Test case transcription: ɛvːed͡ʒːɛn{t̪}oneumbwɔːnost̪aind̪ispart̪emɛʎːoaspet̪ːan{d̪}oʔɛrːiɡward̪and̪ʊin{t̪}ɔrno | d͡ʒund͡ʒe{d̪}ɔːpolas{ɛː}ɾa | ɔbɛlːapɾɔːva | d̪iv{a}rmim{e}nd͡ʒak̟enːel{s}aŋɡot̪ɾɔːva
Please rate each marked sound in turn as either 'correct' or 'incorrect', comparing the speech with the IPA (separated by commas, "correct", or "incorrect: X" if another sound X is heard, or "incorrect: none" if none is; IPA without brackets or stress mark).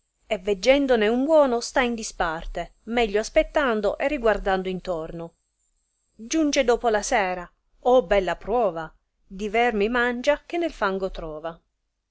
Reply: incorrect: d̪, correct, correct, correct, correct, incorrect: ɛ, incorrect: a, incorrect: f